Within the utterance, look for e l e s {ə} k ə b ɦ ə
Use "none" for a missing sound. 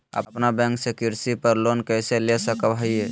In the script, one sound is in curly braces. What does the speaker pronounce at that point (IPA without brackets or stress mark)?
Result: ə